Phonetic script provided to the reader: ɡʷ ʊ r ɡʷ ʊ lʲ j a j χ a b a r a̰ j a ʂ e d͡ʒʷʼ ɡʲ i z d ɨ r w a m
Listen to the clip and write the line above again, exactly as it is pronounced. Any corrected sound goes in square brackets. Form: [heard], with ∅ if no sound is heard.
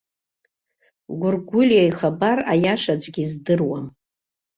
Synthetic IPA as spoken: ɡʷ ʊ r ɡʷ ʊ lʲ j a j χ a b a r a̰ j a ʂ [a] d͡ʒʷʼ ɡʲ i z d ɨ r w a m